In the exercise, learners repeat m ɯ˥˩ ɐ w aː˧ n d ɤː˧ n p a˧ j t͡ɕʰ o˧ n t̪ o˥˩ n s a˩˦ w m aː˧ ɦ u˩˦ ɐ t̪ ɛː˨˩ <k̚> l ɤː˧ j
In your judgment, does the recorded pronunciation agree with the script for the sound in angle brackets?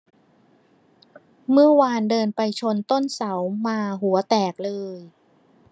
yes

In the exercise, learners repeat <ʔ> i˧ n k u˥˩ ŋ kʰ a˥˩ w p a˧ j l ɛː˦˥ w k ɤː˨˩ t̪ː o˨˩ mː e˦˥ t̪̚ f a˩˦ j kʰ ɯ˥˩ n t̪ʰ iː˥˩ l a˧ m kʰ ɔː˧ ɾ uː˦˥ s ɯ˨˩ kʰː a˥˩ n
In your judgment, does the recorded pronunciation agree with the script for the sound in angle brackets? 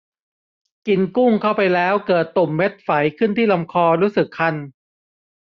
no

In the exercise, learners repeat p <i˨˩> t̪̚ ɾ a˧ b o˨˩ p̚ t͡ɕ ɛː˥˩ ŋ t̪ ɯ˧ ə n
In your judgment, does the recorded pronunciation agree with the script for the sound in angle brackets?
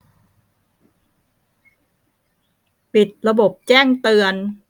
yes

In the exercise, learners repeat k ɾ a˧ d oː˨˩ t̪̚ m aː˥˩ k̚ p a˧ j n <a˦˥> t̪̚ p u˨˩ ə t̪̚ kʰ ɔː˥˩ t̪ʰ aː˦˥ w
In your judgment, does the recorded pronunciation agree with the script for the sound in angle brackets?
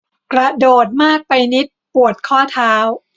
no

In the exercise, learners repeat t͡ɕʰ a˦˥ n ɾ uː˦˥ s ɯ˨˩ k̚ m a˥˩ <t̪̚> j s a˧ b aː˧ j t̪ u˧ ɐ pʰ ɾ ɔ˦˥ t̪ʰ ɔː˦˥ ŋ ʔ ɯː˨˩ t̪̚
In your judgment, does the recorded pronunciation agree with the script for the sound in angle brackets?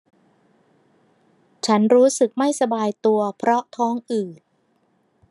no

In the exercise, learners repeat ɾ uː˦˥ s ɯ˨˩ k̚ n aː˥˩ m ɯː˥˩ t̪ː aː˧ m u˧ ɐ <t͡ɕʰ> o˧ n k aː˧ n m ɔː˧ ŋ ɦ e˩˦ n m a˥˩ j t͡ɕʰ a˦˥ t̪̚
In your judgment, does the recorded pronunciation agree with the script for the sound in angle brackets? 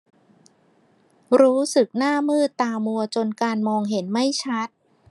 no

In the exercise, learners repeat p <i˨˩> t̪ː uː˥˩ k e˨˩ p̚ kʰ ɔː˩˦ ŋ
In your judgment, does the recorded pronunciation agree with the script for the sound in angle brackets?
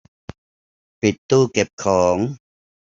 yes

